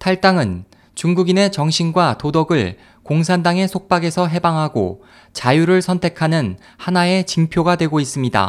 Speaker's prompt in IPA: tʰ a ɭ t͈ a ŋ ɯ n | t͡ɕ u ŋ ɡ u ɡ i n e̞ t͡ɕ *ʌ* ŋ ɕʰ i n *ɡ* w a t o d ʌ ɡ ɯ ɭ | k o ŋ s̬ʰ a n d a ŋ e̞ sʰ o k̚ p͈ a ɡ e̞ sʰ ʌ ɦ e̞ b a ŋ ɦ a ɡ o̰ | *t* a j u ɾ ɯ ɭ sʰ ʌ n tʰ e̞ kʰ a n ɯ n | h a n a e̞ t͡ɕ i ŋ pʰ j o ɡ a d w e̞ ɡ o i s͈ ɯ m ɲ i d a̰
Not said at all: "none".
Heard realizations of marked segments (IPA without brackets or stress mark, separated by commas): ʌ, ɡ, t͡ɕ